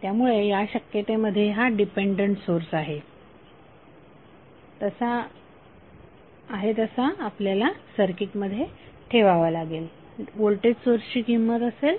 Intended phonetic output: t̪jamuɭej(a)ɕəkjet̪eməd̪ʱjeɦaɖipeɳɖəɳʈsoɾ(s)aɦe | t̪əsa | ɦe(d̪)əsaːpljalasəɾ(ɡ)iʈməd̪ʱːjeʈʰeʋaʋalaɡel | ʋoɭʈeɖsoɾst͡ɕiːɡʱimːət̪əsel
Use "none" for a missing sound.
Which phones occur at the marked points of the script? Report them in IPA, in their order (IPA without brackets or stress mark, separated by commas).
a, s, t̪, k